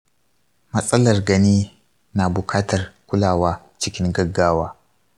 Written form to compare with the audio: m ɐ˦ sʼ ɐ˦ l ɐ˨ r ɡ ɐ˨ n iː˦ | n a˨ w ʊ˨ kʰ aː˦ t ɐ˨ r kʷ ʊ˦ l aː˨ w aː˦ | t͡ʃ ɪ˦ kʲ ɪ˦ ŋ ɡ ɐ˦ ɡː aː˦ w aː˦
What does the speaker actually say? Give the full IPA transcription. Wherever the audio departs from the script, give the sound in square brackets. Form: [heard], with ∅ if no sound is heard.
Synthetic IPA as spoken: m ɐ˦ sʼ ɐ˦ l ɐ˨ r ɡ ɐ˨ n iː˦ | n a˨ [b] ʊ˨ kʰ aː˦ t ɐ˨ r kʷ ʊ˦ l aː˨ w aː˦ | t͡ʃ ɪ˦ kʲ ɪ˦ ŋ ɡ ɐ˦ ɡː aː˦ w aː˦